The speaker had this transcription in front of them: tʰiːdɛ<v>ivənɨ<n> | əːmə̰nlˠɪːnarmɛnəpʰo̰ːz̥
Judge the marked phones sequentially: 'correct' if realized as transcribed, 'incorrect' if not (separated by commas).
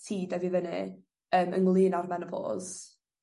correct, incorrect